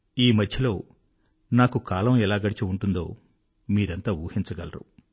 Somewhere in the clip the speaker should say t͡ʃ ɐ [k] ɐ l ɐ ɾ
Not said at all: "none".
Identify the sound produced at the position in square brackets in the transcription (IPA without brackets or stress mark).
ɡ